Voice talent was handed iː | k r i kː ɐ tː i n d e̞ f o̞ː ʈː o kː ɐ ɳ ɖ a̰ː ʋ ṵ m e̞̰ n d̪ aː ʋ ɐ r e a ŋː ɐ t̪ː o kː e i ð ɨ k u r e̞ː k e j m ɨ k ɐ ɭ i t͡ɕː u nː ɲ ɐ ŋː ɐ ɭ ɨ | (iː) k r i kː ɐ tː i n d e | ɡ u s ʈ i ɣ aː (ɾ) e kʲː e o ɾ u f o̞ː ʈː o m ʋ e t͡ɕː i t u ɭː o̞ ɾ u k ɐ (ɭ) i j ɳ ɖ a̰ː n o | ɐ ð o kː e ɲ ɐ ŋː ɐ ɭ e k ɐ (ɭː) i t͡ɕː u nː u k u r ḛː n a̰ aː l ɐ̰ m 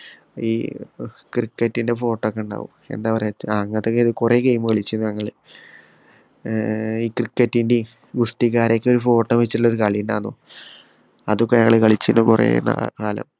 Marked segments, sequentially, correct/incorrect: correct, correct, correct, incorrect: ɭ

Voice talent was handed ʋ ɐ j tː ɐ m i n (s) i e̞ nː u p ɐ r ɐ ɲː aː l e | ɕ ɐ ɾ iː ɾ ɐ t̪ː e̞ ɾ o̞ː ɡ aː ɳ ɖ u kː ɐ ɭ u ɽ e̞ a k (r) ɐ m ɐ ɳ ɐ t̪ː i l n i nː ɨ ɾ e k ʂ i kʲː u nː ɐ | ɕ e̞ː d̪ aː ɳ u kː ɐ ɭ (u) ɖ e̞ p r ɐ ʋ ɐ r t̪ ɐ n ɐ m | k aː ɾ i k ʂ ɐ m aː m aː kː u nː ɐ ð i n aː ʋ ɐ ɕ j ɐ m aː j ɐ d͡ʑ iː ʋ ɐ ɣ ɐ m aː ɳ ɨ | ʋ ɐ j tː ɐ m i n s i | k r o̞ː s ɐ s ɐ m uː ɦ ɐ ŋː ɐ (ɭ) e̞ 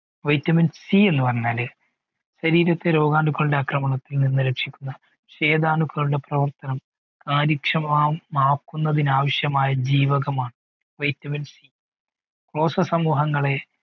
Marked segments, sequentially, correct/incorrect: correct, correct, correct, correct

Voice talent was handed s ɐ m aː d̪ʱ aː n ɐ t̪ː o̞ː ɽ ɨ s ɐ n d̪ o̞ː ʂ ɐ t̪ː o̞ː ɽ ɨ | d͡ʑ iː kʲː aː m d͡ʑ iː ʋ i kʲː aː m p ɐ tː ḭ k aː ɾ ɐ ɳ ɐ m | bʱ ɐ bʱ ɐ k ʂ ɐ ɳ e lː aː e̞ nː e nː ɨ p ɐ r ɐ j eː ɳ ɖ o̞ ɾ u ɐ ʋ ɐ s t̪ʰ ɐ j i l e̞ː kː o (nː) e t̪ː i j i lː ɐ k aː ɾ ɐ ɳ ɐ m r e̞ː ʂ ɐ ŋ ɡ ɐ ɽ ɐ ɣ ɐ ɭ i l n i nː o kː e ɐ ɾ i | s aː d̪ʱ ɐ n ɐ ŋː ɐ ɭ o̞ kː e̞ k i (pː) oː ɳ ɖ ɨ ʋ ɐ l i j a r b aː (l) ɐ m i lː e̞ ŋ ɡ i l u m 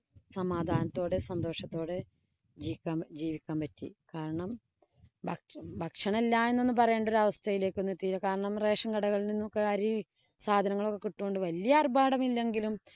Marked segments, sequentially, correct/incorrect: correct, incorrect: ʈː, incorrect: ɽ

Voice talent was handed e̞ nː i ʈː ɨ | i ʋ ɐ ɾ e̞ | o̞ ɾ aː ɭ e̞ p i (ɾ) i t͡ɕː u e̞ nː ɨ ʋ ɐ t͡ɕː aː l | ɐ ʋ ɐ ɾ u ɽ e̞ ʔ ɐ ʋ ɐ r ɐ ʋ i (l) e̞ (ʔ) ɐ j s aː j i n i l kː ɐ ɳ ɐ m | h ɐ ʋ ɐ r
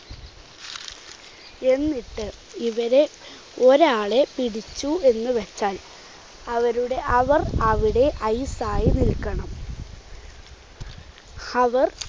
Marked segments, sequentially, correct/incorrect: incorrect: ɽ, incorrect: ɽ, correct

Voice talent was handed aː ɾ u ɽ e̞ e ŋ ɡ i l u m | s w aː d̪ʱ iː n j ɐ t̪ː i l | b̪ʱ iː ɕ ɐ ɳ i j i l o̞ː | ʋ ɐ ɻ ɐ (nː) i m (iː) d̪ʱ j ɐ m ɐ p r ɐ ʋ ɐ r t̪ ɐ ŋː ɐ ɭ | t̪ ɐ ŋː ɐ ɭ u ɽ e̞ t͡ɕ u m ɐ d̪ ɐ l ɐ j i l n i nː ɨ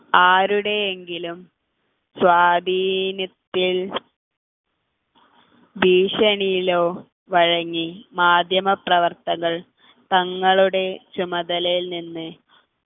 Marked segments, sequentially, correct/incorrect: incorrect: ŋː, incorrect: aː

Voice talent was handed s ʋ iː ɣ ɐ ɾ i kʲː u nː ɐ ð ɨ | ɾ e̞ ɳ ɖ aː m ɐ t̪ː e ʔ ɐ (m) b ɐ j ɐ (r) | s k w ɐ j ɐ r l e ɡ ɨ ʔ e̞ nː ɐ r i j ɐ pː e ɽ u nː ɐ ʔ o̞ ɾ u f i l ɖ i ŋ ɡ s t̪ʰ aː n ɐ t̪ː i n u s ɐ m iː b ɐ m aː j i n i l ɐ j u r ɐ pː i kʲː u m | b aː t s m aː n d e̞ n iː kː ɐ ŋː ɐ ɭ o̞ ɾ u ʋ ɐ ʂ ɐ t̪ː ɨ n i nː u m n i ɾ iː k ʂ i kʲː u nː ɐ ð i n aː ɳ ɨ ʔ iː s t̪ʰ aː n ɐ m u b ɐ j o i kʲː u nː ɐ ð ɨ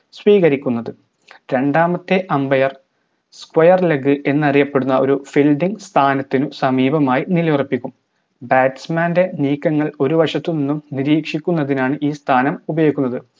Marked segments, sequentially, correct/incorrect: correct, correct

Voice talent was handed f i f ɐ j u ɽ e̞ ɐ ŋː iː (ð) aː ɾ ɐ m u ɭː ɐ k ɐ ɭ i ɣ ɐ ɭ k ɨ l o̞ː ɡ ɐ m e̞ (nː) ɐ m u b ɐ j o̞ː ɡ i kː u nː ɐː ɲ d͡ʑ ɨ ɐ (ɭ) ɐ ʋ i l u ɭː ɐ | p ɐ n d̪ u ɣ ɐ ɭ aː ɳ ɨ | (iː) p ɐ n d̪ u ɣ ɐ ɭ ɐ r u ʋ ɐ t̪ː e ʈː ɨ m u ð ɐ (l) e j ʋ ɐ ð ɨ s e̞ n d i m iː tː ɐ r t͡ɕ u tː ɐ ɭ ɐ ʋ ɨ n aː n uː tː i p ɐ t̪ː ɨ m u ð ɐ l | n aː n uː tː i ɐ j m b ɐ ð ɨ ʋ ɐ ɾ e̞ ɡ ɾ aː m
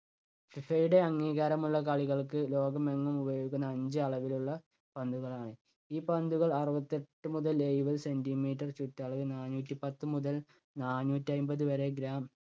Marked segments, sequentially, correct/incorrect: incorrect: ɣ, incorrect: ŋː, correct, correct, correct

